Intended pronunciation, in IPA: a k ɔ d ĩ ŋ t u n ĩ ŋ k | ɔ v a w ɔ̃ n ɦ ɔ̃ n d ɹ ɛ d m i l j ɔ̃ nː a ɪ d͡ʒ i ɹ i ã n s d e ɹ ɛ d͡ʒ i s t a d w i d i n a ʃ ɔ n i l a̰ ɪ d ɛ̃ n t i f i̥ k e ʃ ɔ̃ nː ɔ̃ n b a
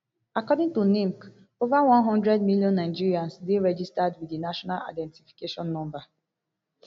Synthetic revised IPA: a k ɔ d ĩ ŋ t u n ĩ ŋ k | o v a w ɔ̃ n ɦ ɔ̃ n d ɹ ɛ d m i l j ɔ̃ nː a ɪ d͡ʒ i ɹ i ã n s d e ɹ ɛ d͡ʒ i s t a d w i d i n a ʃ ɔ n a l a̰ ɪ d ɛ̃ n t i f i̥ k e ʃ ɔ̃ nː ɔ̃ m b a